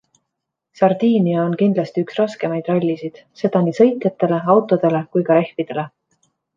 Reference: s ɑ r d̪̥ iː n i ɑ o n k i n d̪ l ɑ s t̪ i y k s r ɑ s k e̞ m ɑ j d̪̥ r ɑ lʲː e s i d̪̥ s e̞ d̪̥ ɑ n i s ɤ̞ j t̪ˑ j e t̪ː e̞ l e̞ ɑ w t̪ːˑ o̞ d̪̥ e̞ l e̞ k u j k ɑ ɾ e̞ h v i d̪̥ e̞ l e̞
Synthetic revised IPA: s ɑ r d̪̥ iː n i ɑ o n k i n d̪ l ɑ s t̪ i y k s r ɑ s k e̞ m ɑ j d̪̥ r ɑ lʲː i s i d̪̥ s e̞ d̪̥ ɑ n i s ɤ̞ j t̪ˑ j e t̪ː e̞ l e̞ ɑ w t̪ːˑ o̞ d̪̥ e̞ l e̞ k u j k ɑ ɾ e̞ h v i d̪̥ e̞ l e̞